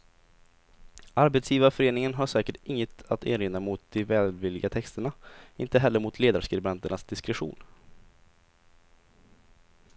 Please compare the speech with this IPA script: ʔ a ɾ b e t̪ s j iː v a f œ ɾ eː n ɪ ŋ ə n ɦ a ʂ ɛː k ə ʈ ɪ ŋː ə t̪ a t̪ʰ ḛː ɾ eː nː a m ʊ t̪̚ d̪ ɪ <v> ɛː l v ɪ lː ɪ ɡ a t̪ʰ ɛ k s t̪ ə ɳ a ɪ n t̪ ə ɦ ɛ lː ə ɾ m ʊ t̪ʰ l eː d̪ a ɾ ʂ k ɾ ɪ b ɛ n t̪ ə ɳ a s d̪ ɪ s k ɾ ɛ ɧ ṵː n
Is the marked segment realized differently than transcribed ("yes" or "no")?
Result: no